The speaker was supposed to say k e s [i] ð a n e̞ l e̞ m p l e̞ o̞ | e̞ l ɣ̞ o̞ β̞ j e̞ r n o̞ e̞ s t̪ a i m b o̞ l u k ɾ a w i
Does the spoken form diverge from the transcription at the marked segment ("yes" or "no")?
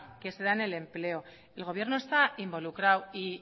yes